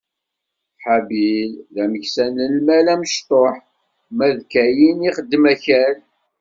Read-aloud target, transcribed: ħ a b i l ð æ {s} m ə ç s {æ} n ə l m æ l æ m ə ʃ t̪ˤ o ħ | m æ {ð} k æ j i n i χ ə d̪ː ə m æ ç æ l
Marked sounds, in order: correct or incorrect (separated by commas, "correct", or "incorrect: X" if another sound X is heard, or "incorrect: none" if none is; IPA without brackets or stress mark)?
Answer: incorrect: none, correct, correct